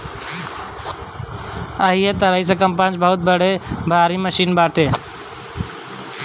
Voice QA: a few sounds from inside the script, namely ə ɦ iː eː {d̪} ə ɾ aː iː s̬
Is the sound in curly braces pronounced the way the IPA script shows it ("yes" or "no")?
no